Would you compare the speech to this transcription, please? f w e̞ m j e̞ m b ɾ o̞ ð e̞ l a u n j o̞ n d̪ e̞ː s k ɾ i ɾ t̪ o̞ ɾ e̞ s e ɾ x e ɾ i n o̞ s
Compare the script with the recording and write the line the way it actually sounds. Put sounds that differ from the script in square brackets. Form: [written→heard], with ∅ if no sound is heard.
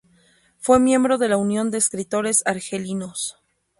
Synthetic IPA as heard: f w e̞ m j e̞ m b ɾ o̞ ð e̞ l a u n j o̞ n d̪ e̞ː s k ɾ i [ɾ→∅] t̪ o̞ ɾ e̞ s [e→a] ɾ x e [ɾ→l] i n o̞ s